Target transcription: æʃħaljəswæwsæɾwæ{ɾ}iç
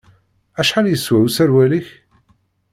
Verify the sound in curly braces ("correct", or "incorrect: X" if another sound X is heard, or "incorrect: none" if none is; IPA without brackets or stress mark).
incorrect: l